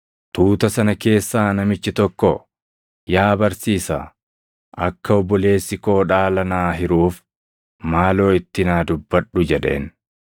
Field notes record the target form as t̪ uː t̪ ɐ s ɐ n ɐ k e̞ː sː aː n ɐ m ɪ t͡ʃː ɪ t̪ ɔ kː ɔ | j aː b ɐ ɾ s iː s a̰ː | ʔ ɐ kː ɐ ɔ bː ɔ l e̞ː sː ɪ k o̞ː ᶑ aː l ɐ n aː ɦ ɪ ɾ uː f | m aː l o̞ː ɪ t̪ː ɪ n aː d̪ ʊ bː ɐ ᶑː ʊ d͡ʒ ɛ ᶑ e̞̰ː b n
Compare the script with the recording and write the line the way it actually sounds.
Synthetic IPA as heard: t̪ uː t̪ ɐ s ɐ n ɐ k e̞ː sː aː n ɐ m ɪ t͡ʃː ɪ t̪ ɔ kː ɔ | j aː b ɐ ɾ s iː s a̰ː | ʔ ɐ kː ɐ ɔ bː ɔ l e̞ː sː ɪ k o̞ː ᶑ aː l ɐ n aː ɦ ɪ ɾ uː f | m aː l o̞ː ɪ t̪ː ɪ n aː d̪ ʊ bː ɐ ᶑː ʊ d͡ʒ ɛ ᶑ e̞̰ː n

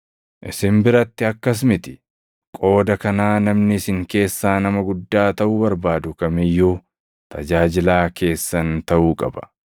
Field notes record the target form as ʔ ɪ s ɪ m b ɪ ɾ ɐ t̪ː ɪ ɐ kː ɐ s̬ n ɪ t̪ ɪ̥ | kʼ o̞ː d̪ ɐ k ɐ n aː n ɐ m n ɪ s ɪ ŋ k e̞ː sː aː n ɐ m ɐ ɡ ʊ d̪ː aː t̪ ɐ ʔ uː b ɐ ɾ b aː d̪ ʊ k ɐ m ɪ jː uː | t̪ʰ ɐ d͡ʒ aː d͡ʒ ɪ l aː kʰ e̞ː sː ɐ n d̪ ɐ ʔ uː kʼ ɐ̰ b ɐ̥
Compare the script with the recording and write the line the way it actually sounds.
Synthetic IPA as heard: ʔ ɪ s ɪ m b ɪ ɾ ɐ t̪ː ɪ ɐ kː ɐ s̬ m ɪ t̪ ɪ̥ | kʼ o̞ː d̪ ɐ k ɐ n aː n ɐ m n ɪ s ɪ ŋ k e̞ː sː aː n ɐ m ɐ ɡ ʊ d̪ː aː t̪ ɐ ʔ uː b ɐ ɾ b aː d̪ ʊ k ɐ m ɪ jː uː | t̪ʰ ɐ d͡ʒ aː d͡ʒ ɪ l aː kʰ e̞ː sː ɐ n t̪ ɐ ʔ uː kʼ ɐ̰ b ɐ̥

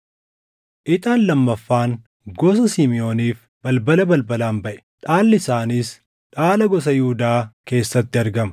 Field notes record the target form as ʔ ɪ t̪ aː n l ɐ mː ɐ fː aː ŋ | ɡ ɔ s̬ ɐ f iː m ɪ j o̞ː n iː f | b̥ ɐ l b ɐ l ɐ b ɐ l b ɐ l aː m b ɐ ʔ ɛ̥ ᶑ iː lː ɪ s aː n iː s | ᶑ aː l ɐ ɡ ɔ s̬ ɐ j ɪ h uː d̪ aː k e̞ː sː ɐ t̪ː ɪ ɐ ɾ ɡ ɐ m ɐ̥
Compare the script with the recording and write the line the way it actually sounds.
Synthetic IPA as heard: ʔ ɪ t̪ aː n l ɐ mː ɐ fː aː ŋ | ɡ ɔ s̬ ɐ s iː m ɪ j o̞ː n iː f | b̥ ɐ l b ɐ l ɐ b ɐ l b ɐ l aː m b ɐ ʔ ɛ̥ ᶑ aː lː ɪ s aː n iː s | ᶑ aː l ɐ ɡ ɔ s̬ ɐ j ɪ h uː d̪ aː k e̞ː sː ɐ t̪ː ɪ ɐ ɾ ɡ ɐ m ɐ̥

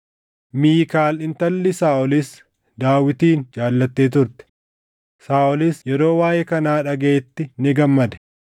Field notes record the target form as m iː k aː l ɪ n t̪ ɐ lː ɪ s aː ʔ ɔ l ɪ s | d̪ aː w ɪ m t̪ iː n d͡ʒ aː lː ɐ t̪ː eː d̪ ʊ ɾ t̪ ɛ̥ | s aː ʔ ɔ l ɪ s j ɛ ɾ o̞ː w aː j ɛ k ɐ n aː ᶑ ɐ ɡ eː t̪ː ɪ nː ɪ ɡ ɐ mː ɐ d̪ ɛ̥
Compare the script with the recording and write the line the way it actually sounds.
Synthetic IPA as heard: m iː k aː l ɪ n t̪ ɐ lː ɪ s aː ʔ ɔ l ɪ s | d̪ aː w ɪ t̪ iː n d͡ʒ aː lː ɐ t̪ː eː t̪ ʊ ɾ t̪ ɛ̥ | s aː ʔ ɔ l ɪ s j ɛ ɾ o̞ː w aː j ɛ k ɐ n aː ᶑ ɐ ɡ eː t̪ː ɪ n ɪ ɡ ɐ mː ɐ d̪ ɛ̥

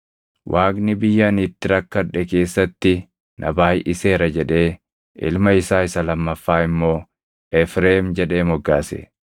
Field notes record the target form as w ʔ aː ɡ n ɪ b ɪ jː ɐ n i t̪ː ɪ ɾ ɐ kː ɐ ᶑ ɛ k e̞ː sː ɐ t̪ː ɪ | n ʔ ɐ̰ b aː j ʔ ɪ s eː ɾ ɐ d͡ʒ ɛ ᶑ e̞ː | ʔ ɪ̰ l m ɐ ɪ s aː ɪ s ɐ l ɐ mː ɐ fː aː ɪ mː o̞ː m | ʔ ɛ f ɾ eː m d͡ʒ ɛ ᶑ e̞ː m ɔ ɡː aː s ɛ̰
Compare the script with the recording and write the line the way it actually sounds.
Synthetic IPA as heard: w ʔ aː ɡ n ɪ b ɪ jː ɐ n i t̪ː ɪ ɾ ɐ kː ɐ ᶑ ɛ k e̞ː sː ɐ t̪ː ɪ | n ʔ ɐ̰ b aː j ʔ ɪ s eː ɾ ɐ d͡ʒ ɛ ᶑ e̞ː | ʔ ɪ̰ l m ɐ ɪ s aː ɪ s ɐ l ɐ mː ɐ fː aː ɪ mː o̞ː | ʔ ɛ f ɾ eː m d͡ʒ ɛ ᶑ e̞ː m ɔ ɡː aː s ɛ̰

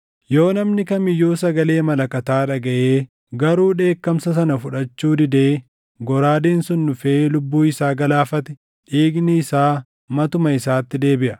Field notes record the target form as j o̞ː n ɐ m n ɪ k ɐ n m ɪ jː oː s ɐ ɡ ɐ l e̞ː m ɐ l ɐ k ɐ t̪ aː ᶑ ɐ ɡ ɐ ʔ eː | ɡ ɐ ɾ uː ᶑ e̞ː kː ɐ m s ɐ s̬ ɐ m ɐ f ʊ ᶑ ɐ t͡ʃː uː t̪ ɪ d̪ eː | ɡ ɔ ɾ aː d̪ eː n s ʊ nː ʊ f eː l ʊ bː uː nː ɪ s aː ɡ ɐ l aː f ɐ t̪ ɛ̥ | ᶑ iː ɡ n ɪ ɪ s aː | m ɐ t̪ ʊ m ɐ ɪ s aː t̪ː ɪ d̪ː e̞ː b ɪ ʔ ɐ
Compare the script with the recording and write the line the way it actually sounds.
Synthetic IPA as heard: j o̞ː n ɐ m n ɪ k ɐ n m ɪ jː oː s ɐ ɡ ɐ l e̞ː m ɐ l ɐ k ɐ t̪ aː ᶑ ɐ ɡ ɐ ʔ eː | ɡ ɐ ɾ uː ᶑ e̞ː kː ɐ m s ɐ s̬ ɐ n ɐ f ʊ ᶑ ɐ t͡ʃː uː d̪ ɪ d̪ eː | ɡ ɔ ɾ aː d̪ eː n s ʊ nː ʊ f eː l ʊ bː uː ɪ s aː ɡ ɐ l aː f ɐ t̪ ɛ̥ | ᶑ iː ɡ n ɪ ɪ s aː | m ɐ t̪ ʊ m ɐ ɪ s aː t̪ː ɪ d̪ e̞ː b ɪ ʔ ɐ

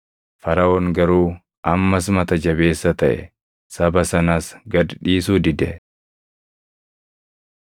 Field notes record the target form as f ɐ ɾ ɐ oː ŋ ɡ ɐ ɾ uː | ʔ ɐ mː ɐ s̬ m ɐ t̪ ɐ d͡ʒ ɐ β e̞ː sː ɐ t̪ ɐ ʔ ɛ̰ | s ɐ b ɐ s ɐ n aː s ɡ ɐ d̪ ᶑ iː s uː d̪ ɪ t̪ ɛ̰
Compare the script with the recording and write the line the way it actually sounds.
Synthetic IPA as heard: f ɐ ɾ ɐ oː ŋ ɡ ɐ ɾ uː | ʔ ɐ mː ɐ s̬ m ɐ t̪ ɐ d͡ʒ ɐ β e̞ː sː ɐ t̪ ɐ ʔ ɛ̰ | s ɐ b ɐ s ɐ n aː s ɡ ɐ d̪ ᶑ iː s uː d̪ ɪ d̪ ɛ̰

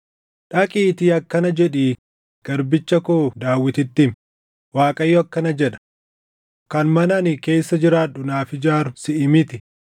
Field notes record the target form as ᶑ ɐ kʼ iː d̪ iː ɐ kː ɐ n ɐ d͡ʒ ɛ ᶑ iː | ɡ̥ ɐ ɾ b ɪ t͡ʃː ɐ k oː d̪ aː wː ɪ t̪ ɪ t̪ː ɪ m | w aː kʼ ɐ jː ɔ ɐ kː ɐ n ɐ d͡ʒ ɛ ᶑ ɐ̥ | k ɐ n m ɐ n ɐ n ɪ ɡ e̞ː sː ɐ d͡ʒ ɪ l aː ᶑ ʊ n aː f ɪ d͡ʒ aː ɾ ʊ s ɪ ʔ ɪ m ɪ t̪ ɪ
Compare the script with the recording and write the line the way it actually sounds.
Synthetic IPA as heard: ᶑ ɐ kʼ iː t̪ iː ɐ kː ɐ n ɐ d͡ʒ ɛ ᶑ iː | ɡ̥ ɐ ɾ b ɪ t͡ʃː ɐ k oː d̪ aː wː ɪ t̪ ɪ t̪ː ɪ m | w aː kʼ ɐ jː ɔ ɐ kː ɐ n ɐ d͡ʒ ɛ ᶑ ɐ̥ | k ɐ n m ɐ n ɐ n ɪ k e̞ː sː ɐ d͡ʒ ɪ ɾ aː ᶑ ʊ n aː f ɪ d͡ʒ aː ɾ ʊ s ɪ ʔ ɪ m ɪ t̪ ɪ

